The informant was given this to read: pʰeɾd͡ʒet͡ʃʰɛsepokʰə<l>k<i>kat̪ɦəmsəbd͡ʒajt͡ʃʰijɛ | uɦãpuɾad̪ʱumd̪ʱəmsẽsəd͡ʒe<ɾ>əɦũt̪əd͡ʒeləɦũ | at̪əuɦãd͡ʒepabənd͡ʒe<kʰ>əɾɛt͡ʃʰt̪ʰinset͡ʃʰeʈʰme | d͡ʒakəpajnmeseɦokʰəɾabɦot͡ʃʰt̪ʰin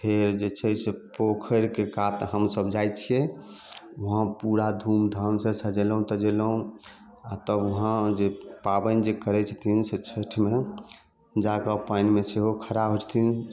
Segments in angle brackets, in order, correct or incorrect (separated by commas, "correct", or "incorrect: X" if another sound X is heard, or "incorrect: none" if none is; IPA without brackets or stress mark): incorrect: ɾ, incorrect: e, incorrect: l, incorrect: k